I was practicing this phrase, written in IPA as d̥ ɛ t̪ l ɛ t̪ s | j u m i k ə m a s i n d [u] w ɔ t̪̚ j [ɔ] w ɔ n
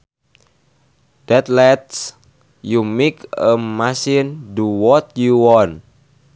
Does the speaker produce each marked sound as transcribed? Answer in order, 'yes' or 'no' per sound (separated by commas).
yes, no